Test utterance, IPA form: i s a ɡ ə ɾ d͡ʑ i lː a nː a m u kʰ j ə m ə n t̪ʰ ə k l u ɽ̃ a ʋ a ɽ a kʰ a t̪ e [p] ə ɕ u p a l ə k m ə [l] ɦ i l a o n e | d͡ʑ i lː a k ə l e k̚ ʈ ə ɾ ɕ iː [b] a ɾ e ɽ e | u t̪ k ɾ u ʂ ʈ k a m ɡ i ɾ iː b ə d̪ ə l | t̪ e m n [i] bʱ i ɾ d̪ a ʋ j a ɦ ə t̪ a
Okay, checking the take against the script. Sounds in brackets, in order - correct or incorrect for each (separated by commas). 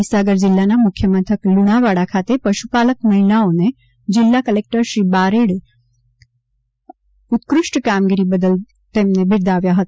correct, incorrect, correct, incorrect